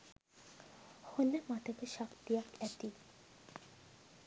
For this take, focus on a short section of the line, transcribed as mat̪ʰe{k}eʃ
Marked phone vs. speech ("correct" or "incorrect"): correct